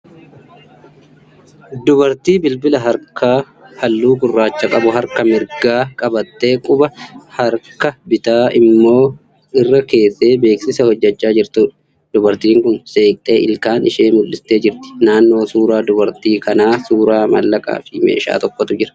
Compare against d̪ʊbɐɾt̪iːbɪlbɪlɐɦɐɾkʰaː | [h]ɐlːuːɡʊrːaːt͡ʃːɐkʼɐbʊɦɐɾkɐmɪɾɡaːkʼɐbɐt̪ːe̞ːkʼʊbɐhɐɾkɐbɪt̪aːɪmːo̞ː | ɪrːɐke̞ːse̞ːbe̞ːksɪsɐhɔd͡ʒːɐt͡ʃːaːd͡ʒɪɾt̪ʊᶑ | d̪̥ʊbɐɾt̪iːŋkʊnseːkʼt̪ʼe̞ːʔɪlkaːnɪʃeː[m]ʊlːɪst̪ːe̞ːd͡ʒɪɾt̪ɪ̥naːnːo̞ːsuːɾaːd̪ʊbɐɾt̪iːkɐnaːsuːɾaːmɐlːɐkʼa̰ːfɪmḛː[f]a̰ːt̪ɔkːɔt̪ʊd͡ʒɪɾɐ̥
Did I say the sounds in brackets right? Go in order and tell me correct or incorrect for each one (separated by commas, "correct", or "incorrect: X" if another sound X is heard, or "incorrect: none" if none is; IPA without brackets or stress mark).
correct, correct, incorrect: ʃ